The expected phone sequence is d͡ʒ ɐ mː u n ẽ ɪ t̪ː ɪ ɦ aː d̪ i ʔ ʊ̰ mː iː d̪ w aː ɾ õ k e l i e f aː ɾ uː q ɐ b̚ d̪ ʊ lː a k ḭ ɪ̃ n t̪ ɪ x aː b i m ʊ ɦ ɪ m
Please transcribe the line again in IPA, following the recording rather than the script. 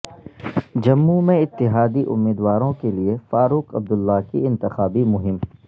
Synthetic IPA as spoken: d͡ʒ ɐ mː u m ẽ ɪ t̪ː ɪ ɦ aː d̪ i ʔ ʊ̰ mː iː d̪ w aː ɾ õ k e l i e f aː ɾ uː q ɐ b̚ d̪ ʊ lː a k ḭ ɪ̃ n t̪ ɪ x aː b i m ʊ ɦ ɪ m